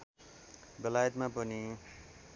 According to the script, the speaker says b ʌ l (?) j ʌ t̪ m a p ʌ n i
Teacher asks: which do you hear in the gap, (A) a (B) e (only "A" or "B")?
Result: A